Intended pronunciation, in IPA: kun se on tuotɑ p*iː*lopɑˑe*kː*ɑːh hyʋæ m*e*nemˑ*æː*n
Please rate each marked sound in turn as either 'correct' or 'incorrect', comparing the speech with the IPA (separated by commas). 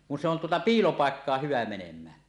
correct, correct, correct, correct